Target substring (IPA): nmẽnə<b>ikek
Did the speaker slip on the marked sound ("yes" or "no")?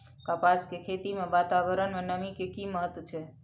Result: yes